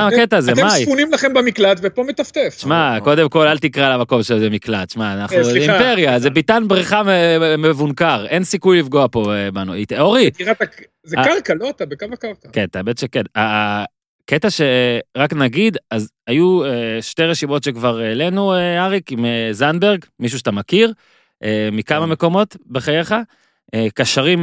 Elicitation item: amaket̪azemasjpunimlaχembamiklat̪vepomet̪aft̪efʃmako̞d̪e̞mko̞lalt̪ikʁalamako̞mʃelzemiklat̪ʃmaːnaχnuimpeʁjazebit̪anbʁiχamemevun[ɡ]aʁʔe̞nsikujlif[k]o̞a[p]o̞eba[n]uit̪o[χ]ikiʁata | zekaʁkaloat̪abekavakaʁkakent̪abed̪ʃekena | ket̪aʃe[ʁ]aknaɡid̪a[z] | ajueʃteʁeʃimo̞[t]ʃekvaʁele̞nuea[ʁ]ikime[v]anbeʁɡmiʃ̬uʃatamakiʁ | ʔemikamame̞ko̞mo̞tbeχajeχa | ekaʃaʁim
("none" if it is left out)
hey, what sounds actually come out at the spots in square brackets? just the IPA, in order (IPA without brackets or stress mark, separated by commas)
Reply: k, ɡ, p, n, ʁ, ʁ, z, t, ʁ, z